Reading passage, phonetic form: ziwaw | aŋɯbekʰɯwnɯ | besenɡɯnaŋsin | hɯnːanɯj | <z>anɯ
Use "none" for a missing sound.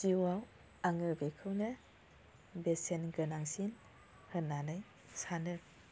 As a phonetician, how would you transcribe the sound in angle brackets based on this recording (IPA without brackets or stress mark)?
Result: s